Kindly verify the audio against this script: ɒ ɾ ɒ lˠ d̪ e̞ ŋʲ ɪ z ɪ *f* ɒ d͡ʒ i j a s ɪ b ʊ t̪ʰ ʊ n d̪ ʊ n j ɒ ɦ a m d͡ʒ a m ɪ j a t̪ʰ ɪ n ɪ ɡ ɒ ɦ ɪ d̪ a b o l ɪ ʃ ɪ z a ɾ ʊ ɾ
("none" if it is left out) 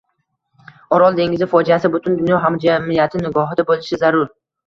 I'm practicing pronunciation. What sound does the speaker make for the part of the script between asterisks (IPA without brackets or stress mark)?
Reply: f